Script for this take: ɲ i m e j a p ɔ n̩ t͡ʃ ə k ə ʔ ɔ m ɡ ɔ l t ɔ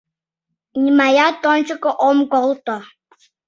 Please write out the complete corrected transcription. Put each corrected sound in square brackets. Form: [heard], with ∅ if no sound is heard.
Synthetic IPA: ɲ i m [a] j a [t] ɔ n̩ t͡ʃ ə k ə ʔ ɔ m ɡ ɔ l t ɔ